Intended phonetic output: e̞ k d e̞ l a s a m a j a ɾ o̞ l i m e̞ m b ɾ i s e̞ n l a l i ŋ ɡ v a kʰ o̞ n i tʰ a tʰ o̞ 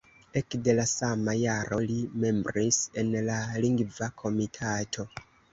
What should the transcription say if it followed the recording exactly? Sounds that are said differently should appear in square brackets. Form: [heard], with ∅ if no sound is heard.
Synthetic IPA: e̞ k d e̞ l a s a m a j a ɾ o̞ l i m e̞ m b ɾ i s e̞ n l a l i ŋ ɡ v a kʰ o̞ [m] i tʰ a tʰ o̞